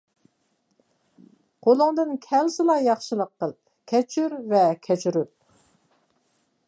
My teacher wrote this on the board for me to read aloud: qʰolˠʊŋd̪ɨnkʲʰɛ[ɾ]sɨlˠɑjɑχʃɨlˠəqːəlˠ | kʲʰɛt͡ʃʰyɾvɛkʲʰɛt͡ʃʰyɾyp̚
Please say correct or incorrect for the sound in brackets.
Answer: incorrect